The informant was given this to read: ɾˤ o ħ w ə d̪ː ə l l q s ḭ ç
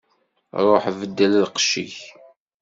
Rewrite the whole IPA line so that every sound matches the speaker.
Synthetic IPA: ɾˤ o ħ v ə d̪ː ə l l q ʃ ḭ ç